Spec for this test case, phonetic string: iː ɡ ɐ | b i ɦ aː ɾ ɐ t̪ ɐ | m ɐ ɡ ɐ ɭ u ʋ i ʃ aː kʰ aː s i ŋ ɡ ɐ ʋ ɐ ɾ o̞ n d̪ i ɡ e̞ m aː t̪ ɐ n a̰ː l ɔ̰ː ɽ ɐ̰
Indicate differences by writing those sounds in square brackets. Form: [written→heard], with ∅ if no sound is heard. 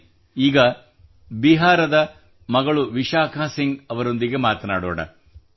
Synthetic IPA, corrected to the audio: iː ɡ ɐ | b i ɦ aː ɾ ɐ [t̪→d̪] ɐ | m ɐ ɡ ɐ ɭ u ʋ i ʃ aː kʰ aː s i ŋ ɡ ɐ ʋ ɐ ɾ o̞ n d̪ i ɡ e̞ m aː t̪ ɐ n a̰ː [l→ɽ] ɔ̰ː ɽ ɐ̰